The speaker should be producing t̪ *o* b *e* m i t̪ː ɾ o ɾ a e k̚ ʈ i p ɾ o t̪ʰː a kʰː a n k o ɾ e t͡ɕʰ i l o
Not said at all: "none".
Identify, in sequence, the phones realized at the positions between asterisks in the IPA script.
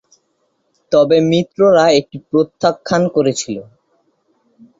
ɔ, e

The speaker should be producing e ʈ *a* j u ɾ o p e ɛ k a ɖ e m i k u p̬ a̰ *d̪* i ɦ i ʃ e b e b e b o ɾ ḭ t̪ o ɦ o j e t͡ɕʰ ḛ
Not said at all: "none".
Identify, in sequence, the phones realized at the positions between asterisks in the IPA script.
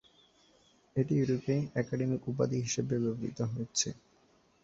i, d̪

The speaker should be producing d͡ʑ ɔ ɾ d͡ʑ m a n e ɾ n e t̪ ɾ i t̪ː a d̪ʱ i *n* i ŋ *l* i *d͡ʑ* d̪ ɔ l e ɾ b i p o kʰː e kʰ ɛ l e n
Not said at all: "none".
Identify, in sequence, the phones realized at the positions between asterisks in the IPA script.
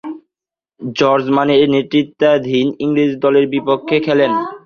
n, ɾ, d͡ʑ

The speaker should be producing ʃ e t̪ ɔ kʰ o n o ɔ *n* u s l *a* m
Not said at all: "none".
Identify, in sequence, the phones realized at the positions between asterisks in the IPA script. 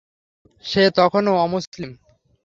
m, i

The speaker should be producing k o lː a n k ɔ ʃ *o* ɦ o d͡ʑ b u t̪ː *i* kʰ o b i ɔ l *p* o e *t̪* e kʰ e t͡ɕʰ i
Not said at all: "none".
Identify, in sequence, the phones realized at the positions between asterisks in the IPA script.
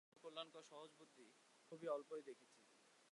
ɔ, i, p, d̪

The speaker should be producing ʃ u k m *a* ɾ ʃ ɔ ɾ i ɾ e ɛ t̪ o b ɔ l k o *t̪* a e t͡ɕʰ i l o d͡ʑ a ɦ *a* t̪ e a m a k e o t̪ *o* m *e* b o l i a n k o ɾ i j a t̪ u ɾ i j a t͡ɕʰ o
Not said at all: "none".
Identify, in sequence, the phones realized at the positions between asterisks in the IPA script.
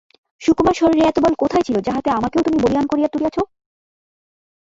a, t̪ʰ, a, u, i

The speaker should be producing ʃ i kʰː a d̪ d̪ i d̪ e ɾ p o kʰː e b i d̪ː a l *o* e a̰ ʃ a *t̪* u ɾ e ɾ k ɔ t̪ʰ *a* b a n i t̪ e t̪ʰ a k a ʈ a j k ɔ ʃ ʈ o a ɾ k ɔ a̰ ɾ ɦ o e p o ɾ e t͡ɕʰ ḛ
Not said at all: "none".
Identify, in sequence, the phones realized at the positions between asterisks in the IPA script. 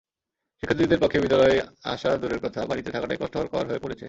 ɔ, d̪, a

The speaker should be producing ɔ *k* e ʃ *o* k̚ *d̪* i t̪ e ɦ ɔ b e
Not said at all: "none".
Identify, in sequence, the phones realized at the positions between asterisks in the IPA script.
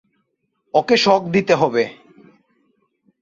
k, ɔ, d̪

